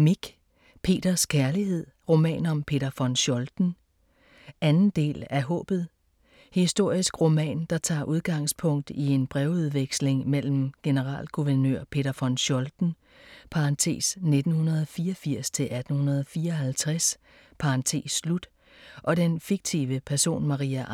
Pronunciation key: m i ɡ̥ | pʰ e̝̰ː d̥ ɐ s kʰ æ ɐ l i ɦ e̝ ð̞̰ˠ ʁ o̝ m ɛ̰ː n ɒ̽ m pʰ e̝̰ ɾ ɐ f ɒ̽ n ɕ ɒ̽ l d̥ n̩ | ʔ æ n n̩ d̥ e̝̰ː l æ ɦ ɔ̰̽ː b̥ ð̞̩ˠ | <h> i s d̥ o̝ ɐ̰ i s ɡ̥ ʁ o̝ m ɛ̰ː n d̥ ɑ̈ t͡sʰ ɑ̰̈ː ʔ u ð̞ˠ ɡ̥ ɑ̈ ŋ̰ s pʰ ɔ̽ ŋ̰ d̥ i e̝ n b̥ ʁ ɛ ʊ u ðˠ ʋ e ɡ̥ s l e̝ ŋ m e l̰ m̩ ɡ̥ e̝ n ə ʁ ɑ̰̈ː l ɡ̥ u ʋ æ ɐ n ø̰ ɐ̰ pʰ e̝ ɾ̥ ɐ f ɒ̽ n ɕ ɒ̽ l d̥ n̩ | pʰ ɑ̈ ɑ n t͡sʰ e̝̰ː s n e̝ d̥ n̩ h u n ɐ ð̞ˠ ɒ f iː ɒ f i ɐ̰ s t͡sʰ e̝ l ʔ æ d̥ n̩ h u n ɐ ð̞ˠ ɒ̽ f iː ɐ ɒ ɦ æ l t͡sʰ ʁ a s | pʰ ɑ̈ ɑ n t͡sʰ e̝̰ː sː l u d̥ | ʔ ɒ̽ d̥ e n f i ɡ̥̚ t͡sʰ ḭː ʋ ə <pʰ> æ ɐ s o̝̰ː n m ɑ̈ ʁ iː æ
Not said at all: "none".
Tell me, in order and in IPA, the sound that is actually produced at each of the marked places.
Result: h, pʰ

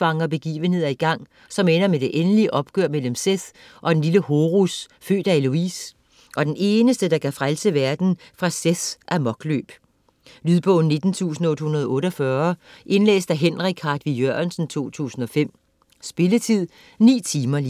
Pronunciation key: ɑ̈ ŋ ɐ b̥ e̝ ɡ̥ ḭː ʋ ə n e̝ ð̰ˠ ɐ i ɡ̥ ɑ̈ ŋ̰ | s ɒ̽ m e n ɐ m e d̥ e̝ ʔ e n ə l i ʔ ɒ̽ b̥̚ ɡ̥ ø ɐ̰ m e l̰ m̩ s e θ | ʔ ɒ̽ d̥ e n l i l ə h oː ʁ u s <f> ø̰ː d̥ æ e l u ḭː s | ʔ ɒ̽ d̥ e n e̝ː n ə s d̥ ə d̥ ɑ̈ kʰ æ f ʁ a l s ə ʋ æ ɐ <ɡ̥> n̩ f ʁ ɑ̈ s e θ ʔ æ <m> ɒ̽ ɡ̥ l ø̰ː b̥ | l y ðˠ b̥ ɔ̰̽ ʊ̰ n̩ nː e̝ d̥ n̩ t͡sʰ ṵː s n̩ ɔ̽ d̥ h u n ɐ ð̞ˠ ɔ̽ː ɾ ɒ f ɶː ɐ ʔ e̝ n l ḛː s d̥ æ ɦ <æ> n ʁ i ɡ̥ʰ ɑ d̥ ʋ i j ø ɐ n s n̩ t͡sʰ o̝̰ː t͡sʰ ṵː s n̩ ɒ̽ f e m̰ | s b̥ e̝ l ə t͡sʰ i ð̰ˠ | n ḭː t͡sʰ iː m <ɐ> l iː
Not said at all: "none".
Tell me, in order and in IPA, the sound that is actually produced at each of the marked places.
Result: f, d̥, m, e, ɐ

